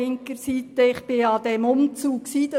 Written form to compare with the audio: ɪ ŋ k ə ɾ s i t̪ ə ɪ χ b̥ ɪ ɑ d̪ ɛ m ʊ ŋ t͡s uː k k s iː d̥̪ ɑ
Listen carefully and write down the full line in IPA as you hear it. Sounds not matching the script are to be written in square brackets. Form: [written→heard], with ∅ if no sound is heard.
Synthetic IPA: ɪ ŋ k ə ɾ s i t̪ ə ɪ χ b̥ ɪ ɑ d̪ ɛ m ʊ [ŋ→m] t͡s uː k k s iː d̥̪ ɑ